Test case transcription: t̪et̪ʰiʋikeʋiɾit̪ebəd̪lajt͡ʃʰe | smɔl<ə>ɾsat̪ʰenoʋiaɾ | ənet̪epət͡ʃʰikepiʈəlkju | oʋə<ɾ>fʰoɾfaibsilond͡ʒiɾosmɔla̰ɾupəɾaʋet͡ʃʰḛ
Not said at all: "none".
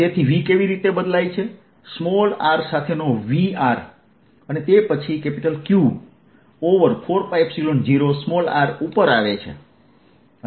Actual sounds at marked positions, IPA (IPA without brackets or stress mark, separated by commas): a, ɾ